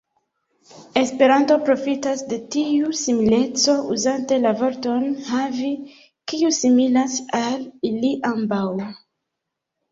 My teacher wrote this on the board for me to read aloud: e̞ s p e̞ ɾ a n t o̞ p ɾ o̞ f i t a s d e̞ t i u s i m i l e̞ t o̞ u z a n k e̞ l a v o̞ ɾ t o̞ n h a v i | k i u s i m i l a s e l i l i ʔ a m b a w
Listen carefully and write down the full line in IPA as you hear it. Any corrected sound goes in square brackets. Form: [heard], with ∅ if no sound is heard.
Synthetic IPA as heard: e̞ s p e̞ ɾ a n t o̞ p ɾ o̞ f i t a s d e̞ t i u s i m i l e̞ [t͡s] o̞ u z a n [t] e̞ l a v o̞ ɾ t o̞ n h a v i | k i u s i m i l a s [a] l i l i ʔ a m b a w

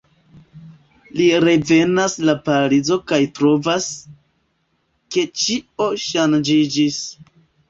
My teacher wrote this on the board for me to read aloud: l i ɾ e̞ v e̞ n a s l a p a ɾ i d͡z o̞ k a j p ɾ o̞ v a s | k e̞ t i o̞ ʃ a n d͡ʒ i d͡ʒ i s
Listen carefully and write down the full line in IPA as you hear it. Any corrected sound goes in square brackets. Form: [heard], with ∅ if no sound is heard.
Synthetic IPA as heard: l i ɾ e̞ v e̞ n a s l a p a ɾ i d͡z o̞ k a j [t] ɾ o̞ v a s | k e̞ [t͡ʃ] i o̞ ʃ a n d͡ʒ i d͡ʒ i s

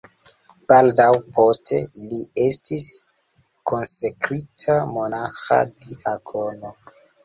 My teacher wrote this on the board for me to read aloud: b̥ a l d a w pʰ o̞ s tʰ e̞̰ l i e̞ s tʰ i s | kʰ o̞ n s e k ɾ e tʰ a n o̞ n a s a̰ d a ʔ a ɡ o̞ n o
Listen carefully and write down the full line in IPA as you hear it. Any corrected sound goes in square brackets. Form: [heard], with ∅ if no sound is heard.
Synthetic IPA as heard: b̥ a l d a w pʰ o̞ s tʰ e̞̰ l i e̞ s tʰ i s | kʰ o̞ n s e k ɾ [i] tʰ a [m] o̞ n a [x] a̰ d [i] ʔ a ɡ o̞ n o

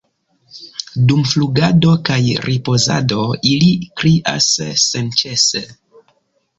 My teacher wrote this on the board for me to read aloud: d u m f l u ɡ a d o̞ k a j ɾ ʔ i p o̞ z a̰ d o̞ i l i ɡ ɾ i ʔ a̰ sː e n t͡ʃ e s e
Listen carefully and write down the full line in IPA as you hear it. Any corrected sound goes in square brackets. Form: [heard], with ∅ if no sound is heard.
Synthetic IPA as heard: d u m f l u ɡ a d o̞ k a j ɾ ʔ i p o̞ z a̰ d o̞ i l i [k] ɾ i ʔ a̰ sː e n t͡ʃ e s e

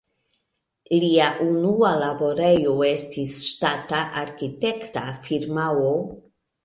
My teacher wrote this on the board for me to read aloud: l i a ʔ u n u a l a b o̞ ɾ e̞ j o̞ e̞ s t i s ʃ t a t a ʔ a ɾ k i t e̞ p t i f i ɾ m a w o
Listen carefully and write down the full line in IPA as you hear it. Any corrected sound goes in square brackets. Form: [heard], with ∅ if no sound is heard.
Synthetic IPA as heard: l i a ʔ u n u a l a b o̞ ɾ e̞ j o̞ e̞ s t i s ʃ t a t a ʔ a ɾ k i t e̞ [k] t [a] f i ɾ m a w o

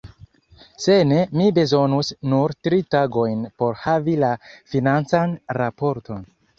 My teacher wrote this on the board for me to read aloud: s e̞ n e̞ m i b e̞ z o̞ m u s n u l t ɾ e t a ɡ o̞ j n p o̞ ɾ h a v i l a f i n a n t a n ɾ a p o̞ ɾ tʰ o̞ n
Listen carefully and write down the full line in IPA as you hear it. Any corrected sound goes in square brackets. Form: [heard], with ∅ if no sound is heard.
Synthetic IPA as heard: s e̞ n e̞ m i b e̞ z o̞ [n] u s n u [ɾ] t ɾ [i] t a ɡ o̞ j n p o̞ ɾ h a v i l a f i n a n [t͡s] a n ɾ a p o̞ ɾ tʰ o̞ n

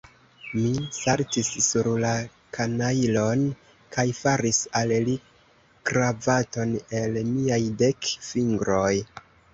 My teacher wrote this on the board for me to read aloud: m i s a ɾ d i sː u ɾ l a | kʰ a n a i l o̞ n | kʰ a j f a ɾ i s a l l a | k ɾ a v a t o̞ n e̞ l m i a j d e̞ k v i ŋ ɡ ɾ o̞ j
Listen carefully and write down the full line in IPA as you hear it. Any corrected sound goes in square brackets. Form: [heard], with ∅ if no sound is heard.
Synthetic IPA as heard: m i s a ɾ [t] i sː u ɾ l a | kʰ a n a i l o̞ n | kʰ a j f a ɾ i s a l l [i] | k ɾ a v a t o̞ n e̞ l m i a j d e̞ k [f] i ŋ ɡ ɾ o̞ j

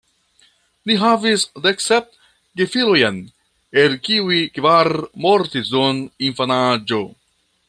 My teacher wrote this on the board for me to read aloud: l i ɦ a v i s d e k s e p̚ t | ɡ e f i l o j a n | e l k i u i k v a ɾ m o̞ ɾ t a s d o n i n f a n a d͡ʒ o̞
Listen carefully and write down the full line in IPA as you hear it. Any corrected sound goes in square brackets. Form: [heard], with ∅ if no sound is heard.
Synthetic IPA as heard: l i ɦ a v i s d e k s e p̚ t | ɡ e f i l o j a n | e l k i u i k v a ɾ m o̞ ɾ t [i] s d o n i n f a n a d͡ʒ o̞

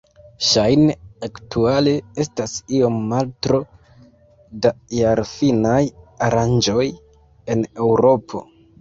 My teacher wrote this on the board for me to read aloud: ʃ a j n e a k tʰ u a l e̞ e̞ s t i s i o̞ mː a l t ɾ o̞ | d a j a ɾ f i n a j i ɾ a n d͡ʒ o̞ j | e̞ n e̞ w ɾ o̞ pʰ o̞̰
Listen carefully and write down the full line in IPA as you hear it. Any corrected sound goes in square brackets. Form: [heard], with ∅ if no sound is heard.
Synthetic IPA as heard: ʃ a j n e a k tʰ u a l e̞ e̞ s t [a] s i o̞ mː a l t ɾ o̞ | d a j a ɾ f i n a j [a] ɾ a n d͡ʒ o̞ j | e̞ n e̞ w ɾ o̞ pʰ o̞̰

